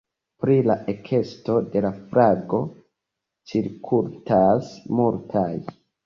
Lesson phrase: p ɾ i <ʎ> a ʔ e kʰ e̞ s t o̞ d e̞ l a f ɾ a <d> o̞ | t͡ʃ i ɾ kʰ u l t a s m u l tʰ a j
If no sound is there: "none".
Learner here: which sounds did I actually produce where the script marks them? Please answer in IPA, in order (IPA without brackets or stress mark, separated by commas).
l, ɡ